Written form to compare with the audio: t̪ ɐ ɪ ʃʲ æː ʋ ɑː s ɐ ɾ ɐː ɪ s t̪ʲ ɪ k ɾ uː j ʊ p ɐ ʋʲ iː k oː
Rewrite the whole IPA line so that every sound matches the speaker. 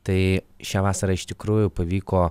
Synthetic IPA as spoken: t̪ ɐ ɪ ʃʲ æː ʋ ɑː s ɐ ɾ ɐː ɪ ʃ t̪ʲ ɪ k ɾ uː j ʊ p ɐ ʋʲ iː k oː